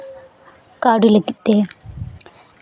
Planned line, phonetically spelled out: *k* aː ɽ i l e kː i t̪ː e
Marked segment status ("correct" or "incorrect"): correct